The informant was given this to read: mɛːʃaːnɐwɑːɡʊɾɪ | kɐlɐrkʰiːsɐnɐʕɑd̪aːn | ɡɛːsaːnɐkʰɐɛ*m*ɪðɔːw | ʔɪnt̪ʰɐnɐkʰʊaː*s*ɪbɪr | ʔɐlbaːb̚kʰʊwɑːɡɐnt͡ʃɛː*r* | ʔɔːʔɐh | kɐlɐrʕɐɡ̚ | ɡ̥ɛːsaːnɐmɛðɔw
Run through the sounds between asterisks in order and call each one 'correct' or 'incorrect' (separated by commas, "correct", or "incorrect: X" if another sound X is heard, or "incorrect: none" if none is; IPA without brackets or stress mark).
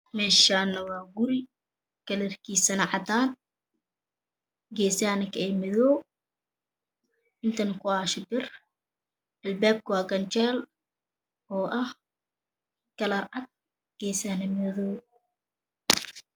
correct, incorrect: ʃ, incorrect: l